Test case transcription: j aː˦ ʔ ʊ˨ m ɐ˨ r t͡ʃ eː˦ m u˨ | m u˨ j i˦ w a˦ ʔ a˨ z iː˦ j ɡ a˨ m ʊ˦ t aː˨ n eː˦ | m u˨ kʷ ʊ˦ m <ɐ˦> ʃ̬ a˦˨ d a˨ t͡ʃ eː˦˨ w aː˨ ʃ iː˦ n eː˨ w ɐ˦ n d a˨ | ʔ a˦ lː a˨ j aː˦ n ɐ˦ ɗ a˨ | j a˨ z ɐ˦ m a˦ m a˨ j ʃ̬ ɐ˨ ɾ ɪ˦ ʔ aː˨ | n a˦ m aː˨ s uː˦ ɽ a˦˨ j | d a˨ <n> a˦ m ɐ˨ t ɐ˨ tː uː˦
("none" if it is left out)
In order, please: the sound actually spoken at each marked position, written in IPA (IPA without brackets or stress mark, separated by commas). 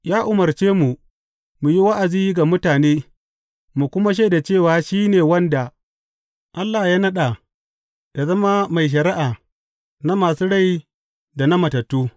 a˦, n